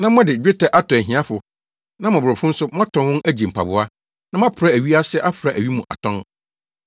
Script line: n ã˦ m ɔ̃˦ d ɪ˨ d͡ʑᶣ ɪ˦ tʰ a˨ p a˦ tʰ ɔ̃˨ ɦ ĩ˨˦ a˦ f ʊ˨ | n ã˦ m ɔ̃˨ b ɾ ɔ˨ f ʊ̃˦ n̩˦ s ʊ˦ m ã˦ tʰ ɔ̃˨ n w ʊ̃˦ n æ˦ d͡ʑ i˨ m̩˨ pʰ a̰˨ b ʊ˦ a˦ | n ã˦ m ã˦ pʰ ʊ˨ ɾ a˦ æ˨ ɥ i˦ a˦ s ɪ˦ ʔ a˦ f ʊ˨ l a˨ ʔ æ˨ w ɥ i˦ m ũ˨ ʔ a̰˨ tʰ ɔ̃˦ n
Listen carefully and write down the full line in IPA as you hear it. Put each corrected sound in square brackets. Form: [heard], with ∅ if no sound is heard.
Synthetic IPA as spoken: n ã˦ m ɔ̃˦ d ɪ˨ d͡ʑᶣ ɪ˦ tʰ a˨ [ʔ] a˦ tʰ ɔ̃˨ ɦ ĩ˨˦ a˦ f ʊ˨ | n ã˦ m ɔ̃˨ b ɾ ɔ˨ f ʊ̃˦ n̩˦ s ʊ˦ m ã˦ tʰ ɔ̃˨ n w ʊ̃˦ n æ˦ d͡ʑ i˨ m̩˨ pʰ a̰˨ b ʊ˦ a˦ | n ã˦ m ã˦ pʰ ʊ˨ ɾ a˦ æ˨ ɥ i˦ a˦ s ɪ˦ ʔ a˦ f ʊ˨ [ɾ] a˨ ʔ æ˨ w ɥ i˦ m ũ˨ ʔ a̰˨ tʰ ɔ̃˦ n